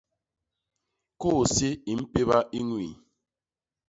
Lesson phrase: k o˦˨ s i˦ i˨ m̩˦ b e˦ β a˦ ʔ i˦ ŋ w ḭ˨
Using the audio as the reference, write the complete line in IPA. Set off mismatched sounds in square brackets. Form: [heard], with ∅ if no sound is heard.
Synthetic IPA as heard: k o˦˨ s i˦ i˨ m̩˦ [p] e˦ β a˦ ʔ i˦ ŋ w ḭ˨

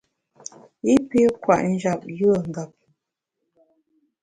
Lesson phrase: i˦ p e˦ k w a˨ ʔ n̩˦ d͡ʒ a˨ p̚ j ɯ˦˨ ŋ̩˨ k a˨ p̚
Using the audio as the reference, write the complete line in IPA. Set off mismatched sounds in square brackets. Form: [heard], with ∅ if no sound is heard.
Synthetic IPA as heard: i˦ p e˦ k w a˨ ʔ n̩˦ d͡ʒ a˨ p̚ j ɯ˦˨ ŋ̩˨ [ɡ] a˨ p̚

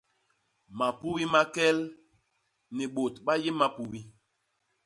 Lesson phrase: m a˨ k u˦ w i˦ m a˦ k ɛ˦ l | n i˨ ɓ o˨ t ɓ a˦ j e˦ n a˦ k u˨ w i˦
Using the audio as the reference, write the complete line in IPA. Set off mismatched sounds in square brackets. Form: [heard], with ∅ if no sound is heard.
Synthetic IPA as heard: m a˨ [p] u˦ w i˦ m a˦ k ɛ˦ l | n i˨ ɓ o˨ t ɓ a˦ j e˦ [m] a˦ [p] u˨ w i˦

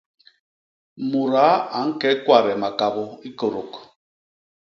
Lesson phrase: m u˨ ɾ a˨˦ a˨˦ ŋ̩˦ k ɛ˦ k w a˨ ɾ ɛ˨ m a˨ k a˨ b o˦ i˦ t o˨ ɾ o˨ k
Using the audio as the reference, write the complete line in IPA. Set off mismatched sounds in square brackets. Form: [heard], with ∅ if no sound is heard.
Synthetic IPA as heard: m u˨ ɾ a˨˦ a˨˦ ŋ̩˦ k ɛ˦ k w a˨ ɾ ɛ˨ m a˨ k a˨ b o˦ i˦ [k] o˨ ɾ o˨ k

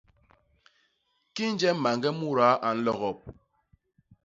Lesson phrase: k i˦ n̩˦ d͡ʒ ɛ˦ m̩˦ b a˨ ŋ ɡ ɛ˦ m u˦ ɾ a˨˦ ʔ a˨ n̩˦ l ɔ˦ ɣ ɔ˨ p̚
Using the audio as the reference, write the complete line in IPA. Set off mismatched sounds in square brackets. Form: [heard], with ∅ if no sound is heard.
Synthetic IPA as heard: k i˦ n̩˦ d͡ʒ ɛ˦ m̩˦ [m] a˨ ŋ ɡ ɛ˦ m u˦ ɾ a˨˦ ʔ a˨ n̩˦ l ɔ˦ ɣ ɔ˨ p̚

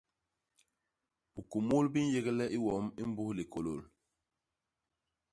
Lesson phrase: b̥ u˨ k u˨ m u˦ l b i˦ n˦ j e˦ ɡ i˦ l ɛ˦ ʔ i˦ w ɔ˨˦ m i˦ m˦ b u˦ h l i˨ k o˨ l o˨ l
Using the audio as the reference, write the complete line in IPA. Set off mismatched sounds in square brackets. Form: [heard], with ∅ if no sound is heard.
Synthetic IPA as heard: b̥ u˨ k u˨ m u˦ l b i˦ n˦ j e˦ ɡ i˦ l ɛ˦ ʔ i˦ w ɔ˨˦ m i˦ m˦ b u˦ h l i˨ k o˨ l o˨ l

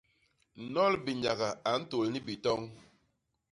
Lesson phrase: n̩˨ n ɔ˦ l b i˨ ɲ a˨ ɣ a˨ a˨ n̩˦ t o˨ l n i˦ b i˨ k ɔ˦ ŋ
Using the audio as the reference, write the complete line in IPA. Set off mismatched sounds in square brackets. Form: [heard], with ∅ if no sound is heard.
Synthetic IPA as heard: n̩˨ n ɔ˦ l b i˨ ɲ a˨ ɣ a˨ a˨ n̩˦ t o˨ l n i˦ b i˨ [t] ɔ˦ ŋ

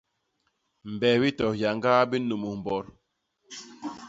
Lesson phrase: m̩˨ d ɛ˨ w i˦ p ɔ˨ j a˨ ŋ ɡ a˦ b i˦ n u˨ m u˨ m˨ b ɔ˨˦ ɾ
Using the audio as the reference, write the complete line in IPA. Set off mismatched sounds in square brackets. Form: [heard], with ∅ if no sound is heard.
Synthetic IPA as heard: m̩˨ [b] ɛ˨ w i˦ [t] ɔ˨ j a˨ ŋ ɡ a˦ b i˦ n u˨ m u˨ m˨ b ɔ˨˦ ɾ

